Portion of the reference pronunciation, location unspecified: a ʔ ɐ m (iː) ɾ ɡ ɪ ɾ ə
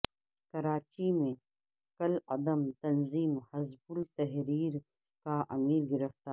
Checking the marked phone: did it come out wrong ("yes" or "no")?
no